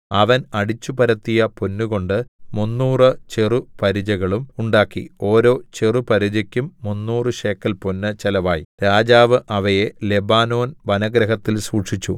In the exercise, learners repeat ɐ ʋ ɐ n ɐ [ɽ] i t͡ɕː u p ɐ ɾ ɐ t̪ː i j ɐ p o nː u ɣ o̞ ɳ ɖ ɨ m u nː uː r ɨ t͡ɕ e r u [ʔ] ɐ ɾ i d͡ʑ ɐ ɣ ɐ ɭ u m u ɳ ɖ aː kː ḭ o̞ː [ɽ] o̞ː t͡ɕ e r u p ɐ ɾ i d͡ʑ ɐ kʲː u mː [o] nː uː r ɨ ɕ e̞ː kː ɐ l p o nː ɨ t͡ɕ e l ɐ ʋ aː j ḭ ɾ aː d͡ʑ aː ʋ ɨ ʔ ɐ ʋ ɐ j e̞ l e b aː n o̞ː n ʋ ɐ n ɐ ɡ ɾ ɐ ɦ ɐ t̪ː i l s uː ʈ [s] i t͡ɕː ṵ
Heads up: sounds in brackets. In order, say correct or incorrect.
correct, incorrect: p, incorrect: ɾ, incorrect: u, incorrect: ʂ

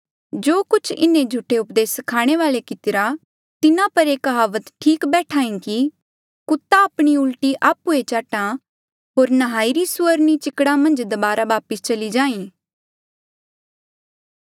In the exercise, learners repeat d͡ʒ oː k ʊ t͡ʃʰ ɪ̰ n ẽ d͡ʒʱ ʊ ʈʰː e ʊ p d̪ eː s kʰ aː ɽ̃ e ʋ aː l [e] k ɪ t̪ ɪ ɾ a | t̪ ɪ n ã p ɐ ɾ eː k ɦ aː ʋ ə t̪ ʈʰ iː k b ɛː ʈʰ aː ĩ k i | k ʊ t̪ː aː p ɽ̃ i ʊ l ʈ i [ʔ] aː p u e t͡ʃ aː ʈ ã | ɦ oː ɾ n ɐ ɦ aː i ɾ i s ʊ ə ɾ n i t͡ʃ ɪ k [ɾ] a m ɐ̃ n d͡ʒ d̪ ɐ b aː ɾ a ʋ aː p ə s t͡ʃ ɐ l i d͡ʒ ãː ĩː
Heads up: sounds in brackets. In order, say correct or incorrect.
correct, correct, incorrect: ɽ

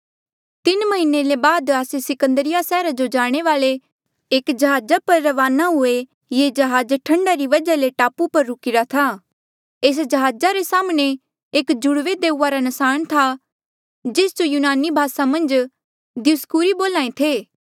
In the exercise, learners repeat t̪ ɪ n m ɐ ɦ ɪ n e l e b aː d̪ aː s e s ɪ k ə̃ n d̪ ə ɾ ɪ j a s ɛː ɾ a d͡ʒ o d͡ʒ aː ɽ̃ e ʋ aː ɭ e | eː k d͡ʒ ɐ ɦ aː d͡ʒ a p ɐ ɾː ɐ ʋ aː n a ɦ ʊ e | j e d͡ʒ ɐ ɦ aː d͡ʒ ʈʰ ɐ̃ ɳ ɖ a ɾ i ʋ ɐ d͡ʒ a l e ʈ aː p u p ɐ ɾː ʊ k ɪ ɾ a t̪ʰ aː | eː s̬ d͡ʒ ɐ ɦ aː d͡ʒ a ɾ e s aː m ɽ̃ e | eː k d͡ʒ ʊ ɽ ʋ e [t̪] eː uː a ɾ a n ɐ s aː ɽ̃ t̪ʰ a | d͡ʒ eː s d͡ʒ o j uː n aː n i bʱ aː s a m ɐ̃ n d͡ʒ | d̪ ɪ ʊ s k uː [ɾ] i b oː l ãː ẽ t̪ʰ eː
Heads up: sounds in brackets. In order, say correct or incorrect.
incorrect: d̪, correct

